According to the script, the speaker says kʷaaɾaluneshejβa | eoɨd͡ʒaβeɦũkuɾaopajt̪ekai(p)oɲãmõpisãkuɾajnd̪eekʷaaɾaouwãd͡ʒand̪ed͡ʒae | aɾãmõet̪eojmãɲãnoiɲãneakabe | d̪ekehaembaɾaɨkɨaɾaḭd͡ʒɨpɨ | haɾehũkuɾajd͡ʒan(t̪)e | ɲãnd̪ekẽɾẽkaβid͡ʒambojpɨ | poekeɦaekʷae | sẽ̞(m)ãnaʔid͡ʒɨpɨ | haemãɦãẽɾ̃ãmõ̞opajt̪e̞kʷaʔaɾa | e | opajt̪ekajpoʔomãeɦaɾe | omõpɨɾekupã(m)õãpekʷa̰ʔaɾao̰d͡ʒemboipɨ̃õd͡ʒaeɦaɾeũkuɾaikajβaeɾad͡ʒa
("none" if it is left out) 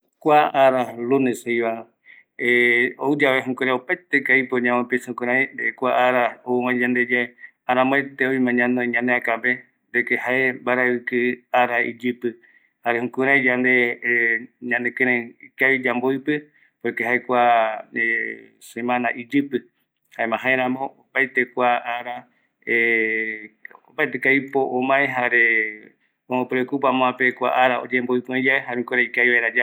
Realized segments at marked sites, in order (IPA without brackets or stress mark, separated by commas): p, d̪, m, m